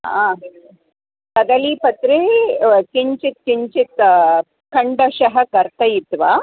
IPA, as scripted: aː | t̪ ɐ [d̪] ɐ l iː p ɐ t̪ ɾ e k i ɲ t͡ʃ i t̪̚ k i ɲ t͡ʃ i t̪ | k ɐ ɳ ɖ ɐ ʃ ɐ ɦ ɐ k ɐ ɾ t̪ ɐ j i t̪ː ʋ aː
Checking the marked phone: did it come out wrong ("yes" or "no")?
no